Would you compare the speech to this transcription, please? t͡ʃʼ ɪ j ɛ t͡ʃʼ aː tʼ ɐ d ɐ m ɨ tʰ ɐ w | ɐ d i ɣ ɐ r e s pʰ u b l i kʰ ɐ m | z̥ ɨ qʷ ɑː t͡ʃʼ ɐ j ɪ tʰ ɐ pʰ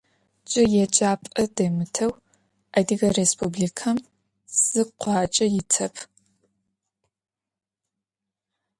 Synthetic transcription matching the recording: t͡ʃʼ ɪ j ɛ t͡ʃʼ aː pʼ ɐ d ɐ m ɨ tʰ ɐ w | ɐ d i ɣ ɐ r e s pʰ u b l i kʰ ɐ m | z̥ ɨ qʷ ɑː t͡ʃʼ ɐ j ɪ tʰ ɐ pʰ